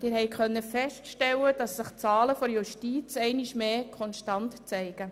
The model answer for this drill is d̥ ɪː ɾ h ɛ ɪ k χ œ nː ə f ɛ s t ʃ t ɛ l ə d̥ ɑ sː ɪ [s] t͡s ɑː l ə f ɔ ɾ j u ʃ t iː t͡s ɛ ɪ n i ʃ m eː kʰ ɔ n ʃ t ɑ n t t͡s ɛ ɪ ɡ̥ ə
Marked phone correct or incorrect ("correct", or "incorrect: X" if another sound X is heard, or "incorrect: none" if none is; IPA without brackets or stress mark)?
incorrect: χ